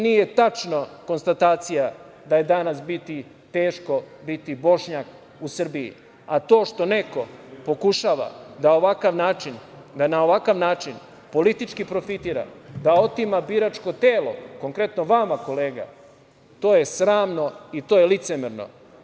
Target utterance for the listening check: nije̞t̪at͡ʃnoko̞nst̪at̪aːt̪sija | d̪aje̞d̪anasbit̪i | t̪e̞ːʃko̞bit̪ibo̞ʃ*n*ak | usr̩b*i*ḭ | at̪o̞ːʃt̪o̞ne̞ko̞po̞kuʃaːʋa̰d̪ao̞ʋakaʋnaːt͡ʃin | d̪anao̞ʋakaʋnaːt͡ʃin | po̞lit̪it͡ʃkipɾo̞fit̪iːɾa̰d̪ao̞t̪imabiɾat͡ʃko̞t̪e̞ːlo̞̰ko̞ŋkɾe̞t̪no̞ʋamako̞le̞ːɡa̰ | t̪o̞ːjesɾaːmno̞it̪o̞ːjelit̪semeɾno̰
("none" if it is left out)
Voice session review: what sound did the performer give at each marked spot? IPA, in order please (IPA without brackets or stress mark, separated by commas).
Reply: ɲ, i